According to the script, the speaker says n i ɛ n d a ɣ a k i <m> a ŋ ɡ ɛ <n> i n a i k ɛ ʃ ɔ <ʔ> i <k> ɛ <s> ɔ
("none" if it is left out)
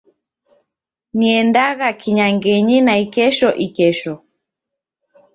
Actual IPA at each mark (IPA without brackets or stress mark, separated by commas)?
ɲ, ɲ, ʔ, k, ʃ